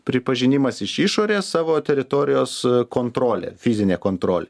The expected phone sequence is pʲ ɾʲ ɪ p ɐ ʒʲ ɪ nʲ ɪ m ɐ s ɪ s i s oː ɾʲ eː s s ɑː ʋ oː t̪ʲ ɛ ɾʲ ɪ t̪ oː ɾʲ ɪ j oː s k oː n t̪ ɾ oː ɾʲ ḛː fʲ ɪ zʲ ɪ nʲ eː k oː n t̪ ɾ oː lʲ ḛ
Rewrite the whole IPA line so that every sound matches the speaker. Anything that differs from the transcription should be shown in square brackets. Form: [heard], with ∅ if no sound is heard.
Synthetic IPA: pʲ ɾʲ ɪ p ɐ ʒʲ ɪ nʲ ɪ m ɐ s ɪ [ʃ] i [ʃ] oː ɾʲ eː s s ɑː ʋ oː t̪ʲ ɛ ɾʲ ɪ t̪ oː ɾʲ ɪ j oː s k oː n t̪ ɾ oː [lʲ] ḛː fʲ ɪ zʲ ɪ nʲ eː k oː n t̪ ɾ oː lʲ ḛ